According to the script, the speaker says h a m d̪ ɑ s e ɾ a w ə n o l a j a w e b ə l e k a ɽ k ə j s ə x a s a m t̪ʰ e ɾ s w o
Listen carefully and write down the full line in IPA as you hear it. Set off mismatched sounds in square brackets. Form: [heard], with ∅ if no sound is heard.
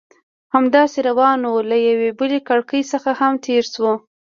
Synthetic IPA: h a m d̪ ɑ s e ɾ a w [ɑ] n o l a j a w e b ə l e k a ɽ k ə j s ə x a [h] a m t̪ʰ e ɾ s w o